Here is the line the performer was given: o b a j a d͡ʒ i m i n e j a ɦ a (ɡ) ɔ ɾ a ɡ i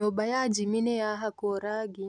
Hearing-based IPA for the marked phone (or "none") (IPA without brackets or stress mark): k